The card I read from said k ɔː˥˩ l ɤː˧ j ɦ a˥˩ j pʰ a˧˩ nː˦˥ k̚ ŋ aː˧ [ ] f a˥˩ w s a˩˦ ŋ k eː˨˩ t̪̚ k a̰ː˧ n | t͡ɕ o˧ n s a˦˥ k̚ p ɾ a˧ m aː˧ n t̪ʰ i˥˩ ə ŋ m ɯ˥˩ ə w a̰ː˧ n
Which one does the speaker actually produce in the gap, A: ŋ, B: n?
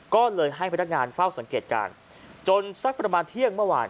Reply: B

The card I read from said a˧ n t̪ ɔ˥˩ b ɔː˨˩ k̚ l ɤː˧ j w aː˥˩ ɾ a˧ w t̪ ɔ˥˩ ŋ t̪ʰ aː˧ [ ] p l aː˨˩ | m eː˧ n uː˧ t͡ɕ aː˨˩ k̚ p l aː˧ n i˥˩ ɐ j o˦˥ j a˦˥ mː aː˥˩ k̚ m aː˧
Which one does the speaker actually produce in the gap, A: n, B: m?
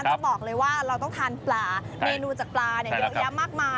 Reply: A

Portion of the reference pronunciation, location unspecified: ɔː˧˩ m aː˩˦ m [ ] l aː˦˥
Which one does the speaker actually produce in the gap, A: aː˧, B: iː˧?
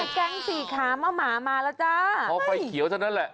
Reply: A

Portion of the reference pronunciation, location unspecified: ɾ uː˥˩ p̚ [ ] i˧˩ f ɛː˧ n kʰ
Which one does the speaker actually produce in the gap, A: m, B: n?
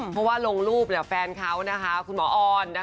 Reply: B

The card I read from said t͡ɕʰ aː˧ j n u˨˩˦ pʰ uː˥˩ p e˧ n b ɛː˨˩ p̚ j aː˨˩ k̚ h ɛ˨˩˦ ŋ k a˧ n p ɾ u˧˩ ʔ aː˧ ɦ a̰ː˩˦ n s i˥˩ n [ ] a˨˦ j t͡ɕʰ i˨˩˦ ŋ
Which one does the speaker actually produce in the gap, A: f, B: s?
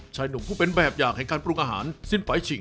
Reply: A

